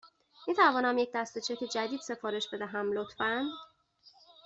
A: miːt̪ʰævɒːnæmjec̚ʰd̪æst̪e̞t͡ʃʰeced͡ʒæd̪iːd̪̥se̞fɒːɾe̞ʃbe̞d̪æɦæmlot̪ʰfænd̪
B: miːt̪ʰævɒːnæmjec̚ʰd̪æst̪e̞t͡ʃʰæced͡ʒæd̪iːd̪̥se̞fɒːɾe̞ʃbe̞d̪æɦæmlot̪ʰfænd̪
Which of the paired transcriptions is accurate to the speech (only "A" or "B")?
A